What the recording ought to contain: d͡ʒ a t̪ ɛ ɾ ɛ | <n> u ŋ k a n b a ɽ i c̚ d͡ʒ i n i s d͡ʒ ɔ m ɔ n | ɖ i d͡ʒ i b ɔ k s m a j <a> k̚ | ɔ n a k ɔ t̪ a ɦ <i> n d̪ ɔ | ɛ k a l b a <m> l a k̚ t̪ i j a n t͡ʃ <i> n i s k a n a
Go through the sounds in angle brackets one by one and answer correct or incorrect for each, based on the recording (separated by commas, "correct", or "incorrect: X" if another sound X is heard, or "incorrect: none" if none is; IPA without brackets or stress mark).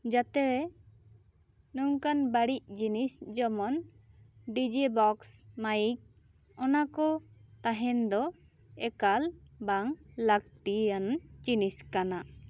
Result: correct, incorrect: i, incorrect: ɛ, incorrect: ŋ, correct